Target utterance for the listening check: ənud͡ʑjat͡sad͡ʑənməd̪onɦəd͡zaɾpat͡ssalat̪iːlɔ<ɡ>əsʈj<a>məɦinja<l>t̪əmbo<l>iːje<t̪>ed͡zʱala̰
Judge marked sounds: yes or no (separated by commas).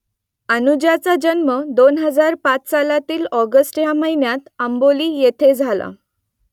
yes, yes, no, yes, no